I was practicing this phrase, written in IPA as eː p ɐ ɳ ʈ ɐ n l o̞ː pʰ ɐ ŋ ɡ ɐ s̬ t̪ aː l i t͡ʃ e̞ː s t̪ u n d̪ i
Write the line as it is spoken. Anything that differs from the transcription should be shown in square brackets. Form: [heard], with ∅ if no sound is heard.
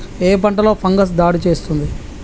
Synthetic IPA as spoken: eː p ɐ ɳ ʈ ɐ [∅] l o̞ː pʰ ɐ ŋ ɡ ɐ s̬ [d̪] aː [ɽ] i t͡ʃ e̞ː s t̪ u n d̪ i